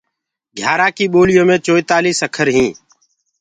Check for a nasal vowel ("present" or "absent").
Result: present